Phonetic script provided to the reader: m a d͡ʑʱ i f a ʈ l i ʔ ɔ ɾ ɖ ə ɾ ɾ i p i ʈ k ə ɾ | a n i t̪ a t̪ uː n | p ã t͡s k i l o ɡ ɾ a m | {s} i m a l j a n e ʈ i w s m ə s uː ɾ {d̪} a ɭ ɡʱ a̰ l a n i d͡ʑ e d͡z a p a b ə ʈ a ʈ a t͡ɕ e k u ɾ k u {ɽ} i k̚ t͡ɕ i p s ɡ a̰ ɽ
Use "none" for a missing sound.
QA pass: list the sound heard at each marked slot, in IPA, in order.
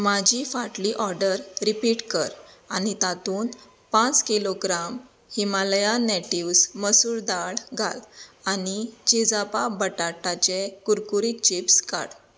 h, d̪, ɾ

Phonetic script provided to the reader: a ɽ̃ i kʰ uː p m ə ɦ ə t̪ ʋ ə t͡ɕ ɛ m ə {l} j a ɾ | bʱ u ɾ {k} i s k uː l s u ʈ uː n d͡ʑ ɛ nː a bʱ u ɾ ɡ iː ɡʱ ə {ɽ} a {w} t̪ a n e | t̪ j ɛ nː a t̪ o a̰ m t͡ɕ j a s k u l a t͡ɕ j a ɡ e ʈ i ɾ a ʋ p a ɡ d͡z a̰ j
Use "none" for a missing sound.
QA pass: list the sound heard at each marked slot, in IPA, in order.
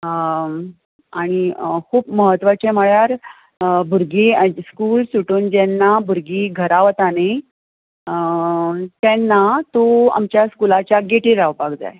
ɭ, ɡ, ɾ, ʋ

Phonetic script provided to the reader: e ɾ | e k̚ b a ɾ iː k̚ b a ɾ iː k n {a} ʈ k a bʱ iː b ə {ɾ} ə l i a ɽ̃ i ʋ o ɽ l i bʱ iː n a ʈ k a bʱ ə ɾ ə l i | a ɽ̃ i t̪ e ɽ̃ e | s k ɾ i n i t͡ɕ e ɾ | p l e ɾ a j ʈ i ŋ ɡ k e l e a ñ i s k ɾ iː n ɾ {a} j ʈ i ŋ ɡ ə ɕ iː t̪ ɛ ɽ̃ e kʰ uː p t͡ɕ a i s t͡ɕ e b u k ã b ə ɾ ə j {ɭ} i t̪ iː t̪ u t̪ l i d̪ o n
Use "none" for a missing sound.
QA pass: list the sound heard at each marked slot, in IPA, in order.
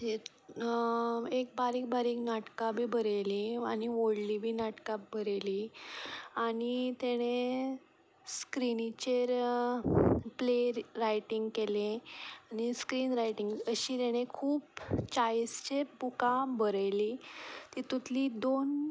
a, ɾ, a, l

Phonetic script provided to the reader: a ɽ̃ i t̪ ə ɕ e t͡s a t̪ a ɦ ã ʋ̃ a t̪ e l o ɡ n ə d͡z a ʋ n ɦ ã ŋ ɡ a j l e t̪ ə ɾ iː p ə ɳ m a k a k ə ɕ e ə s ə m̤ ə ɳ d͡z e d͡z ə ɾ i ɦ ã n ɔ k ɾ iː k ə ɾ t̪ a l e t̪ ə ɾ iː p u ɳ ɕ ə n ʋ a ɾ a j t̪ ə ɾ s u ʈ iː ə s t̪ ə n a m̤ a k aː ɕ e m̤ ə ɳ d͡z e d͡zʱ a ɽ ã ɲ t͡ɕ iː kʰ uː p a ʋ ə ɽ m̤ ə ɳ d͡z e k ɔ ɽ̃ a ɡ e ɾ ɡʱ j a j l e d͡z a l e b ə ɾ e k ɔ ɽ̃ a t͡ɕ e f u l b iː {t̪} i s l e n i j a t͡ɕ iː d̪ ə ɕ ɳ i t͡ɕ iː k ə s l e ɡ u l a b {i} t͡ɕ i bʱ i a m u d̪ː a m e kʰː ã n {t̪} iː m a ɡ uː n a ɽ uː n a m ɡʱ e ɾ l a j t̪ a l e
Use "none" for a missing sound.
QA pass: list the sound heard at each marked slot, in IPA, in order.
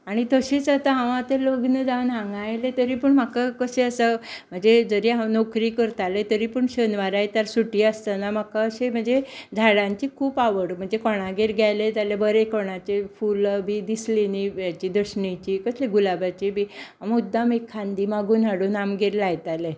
d̪, a, d̪

